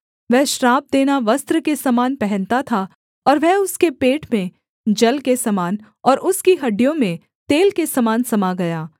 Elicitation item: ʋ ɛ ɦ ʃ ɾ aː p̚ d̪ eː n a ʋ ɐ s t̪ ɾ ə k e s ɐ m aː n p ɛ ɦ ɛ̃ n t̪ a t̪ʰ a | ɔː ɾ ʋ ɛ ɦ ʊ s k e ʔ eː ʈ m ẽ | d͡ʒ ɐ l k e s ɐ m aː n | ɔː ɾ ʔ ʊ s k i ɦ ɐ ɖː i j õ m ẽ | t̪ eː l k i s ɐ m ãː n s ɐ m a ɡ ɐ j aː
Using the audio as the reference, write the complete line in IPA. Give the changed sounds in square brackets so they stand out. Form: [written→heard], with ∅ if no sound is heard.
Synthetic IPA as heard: ʋ ɛ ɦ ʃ ɾ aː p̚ d̪ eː n a ʋ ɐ s t̪ ɾ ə k e s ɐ m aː n p ɛ ɦ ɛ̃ n t̪ a t̪ʰ a | ɔː ɾ ʋ ɛ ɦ ʊ s k e [ʔ→p] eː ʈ m ẽ | d͡ʒ ɐ l k e s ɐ m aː n | ɔː ɾ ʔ ʊ s k i ɦ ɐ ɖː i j õ m ẽ | t̪ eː l k [i→e] s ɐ m [ãː→aː] n s ɐ m a ɡ ɐ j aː